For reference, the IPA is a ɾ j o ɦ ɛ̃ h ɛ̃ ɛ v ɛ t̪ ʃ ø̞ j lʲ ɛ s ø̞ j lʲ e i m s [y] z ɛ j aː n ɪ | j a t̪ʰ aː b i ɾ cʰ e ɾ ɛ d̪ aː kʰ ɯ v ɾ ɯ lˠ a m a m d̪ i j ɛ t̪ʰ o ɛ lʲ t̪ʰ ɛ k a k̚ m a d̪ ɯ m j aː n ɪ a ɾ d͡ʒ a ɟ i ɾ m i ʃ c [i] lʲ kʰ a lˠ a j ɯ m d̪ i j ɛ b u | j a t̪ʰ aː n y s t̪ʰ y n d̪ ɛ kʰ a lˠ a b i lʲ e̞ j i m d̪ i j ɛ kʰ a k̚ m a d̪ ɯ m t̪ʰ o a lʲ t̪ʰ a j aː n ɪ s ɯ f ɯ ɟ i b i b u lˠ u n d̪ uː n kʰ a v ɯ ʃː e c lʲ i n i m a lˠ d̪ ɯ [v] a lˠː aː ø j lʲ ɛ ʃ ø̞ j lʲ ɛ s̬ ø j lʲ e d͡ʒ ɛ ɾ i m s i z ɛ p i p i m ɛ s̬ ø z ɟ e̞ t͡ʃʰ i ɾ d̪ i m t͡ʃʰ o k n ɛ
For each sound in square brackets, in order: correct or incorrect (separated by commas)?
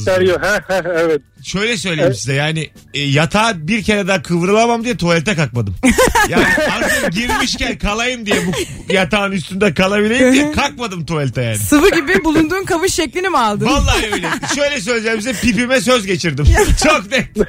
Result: incorrect, incorrect, correct